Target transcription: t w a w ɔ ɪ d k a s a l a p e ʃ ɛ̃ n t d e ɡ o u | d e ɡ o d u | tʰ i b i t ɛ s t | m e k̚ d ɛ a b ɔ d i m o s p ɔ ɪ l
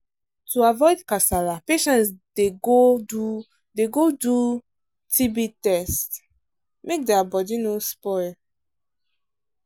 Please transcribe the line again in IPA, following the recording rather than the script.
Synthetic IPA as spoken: t u a v ɔ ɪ d k a s a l a p e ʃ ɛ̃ n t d e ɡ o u | d e ɡ o d u | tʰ i b i t ɛ s t | m e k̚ d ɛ a b ɔ d i n o s p ɔ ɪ l